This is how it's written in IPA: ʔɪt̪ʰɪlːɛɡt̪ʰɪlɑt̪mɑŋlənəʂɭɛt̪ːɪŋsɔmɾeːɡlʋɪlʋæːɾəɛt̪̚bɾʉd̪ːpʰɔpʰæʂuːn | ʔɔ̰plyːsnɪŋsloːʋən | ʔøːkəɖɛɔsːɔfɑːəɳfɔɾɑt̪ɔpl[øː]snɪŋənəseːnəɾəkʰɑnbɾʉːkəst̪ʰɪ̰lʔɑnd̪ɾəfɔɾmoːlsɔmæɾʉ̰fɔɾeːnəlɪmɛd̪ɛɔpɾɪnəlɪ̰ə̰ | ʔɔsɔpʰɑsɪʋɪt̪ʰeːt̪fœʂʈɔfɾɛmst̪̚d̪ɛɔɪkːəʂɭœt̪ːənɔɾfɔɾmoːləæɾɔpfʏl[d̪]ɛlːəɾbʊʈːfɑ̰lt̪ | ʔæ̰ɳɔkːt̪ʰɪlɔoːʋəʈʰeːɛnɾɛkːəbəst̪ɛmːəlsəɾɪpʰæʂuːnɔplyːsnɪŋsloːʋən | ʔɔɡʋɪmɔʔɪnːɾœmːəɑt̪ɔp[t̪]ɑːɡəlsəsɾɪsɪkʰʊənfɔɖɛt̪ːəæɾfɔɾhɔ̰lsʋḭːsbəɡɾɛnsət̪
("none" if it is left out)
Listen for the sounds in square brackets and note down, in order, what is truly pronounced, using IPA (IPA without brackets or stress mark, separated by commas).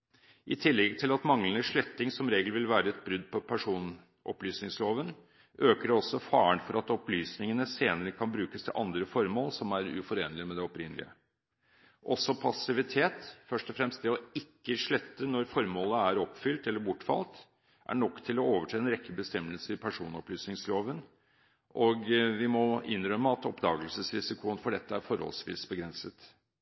yː, t̪, d̪